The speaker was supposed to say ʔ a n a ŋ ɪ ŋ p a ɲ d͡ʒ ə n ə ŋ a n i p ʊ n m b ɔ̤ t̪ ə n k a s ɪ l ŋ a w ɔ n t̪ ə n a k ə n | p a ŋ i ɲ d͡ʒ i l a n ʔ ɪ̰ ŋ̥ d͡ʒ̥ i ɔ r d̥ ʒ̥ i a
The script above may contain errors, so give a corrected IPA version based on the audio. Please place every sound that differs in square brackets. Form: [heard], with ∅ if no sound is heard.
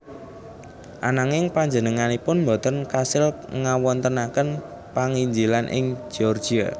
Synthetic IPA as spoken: ʔ a n a ŋ ɪ ŋ p a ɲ d͡ʒ ə n ə ŋ a n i p ʊ n m b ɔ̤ t̪ ə n k a s ɪ l ŋ a w ɔ n t̪ ə n a k ə n | p a ŋ i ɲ d͡ʒ i l a n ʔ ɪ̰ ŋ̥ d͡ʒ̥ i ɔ r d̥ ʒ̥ i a